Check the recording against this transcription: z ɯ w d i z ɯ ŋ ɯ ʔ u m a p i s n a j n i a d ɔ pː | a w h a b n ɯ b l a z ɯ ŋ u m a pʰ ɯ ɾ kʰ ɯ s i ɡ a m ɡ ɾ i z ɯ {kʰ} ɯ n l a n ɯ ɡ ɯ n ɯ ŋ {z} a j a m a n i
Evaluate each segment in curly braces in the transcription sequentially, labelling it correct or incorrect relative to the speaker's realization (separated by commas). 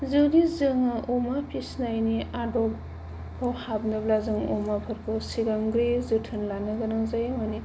incorrect, correct